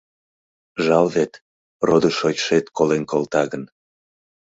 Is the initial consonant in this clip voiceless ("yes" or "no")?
no